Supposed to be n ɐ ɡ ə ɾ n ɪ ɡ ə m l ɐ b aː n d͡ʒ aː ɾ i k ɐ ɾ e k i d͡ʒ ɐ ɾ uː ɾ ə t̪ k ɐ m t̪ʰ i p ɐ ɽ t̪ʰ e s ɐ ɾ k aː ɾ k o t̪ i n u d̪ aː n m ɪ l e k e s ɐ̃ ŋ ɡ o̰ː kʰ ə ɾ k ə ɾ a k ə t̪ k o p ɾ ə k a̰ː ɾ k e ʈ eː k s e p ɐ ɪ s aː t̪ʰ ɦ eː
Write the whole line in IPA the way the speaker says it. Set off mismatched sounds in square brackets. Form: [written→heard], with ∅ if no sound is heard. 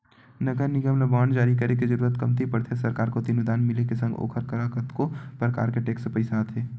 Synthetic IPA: n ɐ ɡ ə ɾ n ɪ ɡ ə m l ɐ b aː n d͡ʒ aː ɾ i k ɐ ɾ e k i d͡ʒ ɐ ɾ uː ɾ ə t̪ k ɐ m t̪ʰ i p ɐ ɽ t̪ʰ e s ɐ ɾ k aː ɾ k o t̪ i n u d̪ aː n m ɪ l e k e s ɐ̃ ŋ ɡ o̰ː kʰ ə ɾ k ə ɾ a k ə t̪ k o p ɾ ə k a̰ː ɾ k e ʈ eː k s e p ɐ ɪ s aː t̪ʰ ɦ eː

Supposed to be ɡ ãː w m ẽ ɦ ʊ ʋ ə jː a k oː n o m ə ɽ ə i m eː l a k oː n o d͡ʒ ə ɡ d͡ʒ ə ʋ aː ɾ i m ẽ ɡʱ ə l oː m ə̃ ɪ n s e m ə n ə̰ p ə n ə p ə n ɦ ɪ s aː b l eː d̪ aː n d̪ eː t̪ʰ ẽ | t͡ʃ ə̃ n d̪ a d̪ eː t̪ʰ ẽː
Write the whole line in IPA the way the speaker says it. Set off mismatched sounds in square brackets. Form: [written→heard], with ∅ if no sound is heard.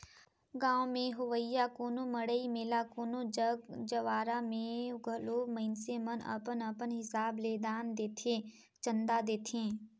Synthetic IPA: ɡ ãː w m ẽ ɦ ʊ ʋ ə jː a k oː n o m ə ɽ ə i m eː l a k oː n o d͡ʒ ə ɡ d͡ʒ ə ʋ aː ɾ [i→a] m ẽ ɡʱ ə l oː m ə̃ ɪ n s e m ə n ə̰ p ə n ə p ə n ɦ ɪ s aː b l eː d̪ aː n d̪ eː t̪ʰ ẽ | t͡ʃ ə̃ n d̪ a d̪ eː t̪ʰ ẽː

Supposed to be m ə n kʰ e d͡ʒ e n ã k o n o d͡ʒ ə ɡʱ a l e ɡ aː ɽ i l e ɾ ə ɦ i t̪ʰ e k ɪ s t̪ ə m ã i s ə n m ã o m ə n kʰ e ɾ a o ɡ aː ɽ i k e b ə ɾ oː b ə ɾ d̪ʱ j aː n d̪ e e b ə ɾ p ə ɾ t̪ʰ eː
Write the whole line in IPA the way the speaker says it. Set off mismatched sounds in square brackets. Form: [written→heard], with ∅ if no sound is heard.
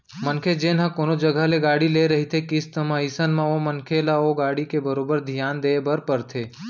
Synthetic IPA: m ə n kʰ e d͡ʒ e n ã k o n o d͡ʒ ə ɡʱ a l e ɡ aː ɽ i l e ɾ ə ɦ i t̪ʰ e k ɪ s t̪ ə m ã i s ə n m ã o m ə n kʰ e [ɾ→l] a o ɡ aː ɽ i k e b ə ɾ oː b ə ɾ d̪ʱ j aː n d̪ e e b ə ɾ p ə ɾ t̪ʰ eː

